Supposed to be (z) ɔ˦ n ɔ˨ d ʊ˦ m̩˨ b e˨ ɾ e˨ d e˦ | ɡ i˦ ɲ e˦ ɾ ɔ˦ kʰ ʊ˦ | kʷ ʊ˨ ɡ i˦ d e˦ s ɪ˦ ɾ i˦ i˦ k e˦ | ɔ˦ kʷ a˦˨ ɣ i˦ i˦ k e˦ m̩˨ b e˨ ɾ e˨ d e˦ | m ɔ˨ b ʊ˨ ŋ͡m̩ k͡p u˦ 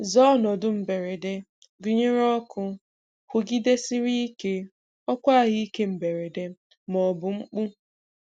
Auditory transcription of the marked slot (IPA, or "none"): z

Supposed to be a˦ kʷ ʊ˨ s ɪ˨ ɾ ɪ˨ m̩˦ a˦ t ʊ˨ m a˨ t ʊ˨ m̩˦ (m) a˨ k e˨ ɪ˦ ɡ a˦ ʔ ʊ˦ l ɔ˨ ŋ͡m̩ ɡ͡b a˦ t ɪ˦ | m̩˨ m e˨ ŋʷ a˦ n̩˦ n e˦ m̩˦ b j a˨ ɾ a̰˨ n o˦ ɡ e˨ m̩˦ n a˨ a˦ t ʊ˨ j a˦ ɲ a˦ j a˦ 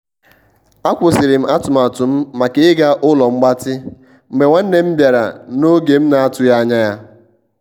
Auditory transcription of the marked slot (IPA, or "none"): m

